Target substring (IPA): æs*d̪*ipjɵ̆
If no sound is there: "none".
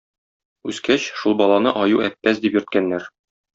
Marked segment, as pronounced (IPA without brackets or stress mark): d̪